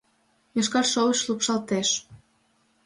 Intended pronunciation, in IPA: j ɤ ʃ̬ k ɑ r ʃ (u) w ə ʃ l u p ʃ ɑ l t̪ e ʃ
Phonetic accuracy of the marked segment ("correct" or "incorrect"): incorrect